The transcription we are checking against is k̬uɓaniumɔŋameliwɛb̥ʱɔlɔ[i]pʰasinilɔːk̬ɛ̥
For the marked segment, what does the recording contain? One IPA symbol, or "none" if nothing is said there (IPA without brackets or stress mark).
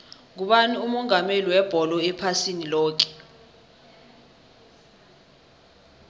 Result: ɛ